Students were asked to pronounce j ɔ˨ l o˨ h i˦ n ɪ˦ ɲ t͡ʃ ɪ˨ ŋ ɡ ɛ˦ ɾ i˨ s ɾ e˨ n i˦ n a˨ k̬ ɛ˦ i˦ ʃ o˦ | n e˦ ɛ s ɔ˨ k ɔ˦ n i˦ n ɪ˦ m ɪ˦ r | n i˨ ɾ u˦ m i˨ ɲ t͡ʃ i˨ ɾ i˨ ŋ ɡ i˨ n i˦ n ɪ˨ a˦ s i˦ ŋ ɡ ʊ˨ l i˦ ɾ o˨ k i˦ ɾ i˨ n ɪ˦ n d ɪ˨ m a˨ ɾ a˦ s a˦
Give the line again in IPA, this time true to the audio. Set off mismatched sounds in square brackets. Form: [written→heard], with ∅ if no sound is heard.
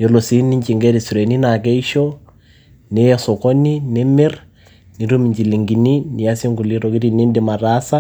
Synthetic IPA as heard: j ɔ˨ l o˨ [h→s] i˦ n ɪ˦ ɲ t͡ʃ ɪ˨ ŋ ɡ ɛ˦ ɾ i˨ s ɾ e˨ n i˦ n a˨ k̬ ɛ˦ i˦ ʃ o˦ | n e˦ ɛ s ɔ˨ k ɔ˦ n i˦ n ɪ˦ m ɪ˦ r | n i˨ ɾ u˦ m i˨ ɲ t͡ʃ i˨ [ɾ→l] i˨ ŋ ɡ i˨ n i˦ n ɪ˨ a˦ s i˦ ŋ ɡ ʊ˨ l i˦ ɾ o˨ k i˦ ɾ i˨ n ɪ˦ n d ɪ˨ m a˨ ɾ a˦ s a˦

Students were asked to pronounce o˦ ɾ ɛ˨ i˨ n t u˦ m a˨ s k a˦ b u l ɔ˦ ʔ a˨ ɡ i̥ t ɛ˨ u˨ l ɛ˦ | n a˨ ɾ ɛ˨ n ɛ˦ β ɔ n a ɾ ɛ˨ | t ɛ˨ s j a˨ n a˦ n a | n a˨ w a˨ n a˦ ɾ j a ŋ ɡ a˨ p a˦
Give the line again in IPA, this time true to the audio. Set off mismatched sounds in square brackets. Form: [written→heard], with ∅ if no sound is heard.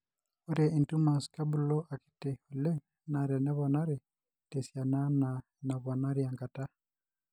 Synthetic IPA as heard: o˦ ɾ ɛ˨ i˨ n t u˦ m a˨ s k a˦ b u l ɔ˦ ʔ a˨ [ɡ→k] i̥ t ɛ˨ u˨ l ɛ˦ | n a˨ ɾ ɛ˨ n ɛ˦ β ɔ n a ɾ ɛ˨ | t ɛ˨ s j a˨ n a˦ n a | n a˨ [w→β] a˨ n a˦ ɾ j a ŋ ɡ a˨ [p→t] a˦

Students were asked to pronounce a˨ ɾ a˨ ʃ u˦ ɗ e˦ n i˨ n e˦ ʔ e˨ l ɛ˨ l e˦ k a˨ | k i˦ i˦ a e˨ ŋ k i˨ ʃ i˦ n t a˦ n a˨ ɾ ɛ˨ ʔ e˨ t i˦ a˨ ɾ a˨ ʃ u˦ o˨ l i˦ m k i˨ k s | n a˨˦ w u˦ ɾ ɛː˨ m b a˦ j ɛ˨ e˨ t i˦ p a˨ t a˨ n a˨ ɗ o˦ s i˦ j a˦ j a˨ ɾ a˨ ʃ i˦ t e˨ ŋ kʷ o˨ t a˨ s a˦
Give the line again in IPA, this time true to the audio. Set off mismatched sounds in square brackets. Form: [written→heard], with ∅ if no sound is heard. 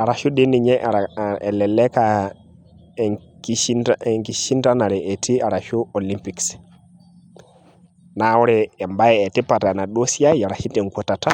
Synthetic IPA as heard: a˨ ɾ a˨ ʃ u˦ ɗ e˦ n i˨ [n→ɲ] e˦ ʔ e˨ l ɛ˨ l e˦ k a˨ | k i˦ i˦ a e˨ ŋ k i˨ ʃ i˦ n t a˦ n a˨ ɾ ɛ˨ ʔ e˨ t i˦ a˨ ɾ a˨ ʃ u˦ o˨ l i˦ m [k→p] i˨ k s | n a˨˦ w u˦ ɾ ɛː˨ m b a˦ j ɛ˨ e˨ t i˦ p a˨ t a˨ n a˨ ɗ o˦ s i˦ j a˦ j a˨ ɾ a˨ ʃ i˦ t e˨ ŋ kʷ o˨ t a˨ [s→t] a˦

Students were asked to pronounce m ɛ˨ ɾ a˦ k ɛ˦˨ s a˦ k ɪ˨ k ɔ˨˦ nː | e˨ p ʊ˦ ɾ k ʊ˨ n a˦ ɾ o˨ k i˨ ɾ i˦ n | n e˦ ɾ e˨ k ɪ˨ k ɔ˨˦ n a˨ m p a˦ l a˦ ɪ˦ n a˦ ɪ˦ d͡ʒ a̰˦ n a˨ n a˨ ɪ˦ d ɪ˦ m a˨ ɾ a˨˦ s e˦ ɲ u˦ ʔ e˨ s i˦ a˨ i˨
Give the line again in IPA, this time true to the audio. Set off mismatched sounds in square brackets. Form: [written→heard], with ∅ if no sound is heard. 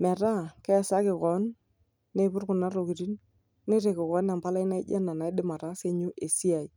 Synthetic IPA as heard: m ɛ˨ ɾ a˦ k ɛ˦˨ s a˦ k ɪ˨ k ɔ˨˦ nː | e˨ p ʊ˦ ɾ k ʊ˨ n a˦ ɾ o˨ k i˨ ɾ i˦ n | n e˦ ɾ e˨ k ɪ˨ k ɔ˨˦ n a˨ m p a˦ l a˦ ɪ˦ n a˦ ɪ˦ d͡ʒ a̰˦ n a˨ n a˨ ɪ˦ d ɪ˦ m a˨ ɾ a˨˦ s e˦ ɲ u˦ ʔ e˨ s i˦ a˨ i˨

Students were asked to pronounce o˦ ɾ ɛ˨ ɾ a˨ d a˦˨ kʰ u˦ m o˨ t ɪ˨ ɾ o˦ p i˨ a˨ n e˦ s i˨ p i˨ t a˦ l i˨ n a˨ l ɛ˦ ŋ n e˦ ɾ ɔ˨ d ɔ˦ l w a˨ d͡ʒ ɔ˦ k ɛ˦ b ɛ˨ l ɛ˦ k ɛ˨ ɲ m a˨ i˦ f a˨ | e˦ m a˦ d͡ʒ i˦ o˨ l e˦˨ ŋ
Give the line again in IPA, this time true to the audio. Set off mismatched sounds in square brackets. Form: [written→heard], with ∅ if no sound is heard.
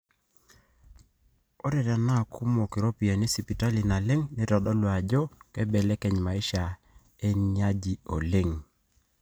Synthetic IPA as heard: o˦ ɾ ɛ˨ ɾ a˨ [d→n] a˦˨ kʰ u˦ m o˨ [t→k] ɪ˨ ɾ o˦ p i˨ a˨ n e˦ s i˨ p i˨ t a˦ l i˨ n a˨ l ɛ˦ ŋ n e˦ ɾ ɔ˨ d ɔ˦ l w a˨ d͡ʒ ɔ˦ k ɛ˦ b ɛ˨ l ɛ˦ k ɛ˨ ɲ m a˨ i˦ [f→ʃ] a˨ | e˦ [m→ɲ] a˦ d͡ʒ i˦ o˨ l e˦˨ ŋ

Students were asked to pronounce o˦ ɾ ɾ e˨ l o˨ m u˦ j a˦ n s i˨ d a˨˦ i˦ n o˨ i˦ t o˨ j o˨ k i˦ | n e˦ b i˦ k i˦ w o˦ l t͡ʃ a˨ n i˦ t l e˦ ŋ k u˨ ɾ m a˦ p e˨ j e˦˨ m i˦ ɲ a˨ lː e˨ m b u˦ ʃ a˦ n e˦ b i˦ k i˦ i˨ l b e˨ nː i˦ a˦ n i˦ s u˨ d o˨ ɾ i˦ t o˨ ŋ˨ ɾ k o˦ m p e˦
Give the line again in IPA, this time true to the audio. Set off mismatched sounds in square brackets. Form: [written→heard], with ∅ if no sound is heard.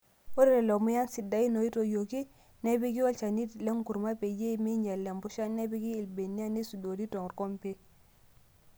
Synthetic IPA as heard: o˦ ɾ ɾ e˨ l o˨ m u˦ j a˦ n s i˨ d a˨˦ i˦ n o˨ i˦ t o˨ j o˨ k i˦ | n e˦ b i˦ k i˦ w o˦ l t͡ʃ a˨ n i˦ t l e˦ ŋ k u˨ ɾ m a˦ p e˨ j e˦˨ m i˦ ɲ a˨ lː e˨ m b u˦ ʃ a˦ n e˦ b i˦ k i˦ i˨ l b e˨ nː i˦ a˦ n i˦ s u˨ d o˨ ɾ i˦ t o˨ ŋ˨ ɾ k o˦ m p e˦

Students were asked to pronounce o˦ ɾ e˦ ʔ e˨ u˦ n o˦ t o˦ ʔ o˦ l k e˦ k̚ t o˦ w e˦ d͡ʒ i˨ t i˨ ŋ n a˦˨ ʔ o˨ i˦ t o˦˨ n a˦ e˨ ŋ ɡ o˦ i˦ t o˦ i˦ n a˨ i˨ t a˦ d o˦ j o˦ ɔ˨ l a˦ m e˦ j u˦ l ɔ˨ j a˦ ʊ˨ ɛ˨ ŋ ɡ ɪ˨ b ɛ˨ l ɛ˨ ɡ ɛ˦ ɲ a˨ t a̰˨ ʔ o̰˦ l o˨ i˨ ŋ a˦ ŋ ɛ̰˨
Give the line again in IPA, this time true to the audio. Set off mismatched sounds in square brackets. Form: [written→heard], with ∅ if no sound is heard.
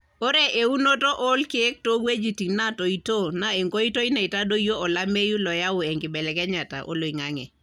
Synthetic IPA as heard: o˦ ɾ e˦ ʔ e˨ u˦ n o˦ t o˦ ʔ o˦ l k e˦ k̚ t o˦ w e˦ d͡ʒ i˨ t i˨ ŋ n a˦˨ [ʔ→t] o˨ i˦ t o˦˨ n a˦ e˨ ŋ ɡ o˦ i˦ t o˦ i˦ n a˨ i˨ t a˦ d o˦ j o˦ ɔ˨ l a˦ m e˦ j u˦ l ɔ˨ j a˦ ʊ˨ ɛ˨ ŋ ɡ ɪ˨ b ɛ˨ l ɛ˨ [ɡ→k] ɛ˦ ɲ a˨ t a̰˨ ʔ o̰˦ l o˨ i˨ ŋ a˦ ŋ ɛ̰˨

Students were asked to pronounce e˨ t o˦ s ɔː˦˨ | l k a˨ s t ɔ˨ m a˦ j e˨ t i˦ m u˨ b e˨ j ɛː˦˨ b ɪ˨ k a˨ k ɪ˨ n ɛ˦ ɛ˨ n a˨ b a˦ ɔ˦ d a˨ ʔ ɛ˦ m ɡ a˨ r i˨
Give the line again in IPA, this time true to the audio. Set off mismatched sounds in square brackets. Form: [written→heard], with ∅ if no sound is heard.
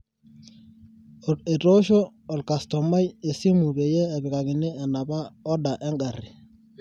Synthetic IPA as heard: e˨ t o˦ [s→ʃ] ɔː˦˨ | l k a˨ s t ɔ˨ m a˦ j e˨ [t→s] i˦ m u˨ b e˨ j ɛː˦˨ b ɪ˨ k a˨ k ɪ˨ n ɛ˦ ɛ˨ n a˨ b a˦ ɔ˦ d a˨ ʔ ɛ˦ [m→ŋ] ɡ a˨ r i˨

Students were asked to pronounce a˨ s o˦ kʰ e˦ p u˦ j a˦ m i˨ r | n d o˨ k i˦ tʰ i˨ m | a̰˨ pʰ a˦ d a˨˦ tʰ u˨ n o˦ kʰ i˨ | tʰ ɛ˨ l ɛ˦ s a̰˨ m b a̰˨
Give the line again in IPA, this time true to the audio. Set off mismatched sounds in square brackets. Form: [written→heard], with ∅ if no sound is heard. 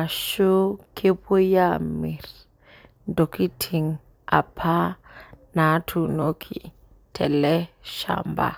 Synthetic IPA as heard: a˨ [s→ʃ] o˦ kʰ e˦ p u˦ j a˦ m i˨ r | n d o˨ k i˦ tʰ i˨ [m→ŋ] | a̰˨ pʰ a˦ [d→n] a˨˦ tʰ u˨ n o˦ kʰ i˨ | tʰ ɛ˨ l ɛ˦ [s→ʃ] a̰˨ m b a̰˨

